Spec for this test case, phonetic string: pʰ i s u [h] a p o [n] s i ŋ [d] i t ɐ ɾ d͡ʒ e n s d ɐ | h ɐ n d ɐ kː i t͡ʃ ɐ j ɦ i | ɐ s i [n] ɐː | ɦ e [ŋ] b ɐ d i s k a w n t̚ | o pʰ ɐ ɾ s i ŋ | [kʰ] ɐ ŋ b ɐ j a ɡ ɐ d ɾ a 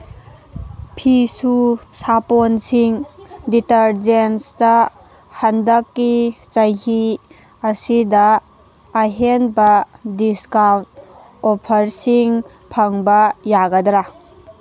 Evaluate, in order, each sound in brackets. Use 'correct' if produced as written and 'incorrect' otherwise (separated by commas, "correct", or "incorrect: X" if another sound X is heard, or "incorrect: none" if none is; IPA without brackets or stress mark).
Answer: incorrect: s, correct, correct, incorrect: d, incorrect: n, incorrect: pʰ